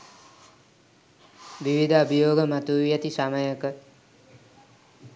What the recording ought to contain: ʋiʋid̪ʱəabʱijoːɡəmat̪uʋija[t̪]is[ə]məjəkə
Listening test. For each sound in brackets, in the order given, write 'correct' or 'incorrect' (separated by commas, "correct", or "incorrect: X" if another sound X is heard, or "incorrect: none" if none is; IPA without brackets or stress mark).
correct, incorrect: a